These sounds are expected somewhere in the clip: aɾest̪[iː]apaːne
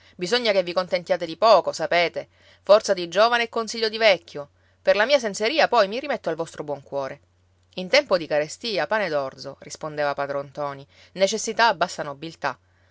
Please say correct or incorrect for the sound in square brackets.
correct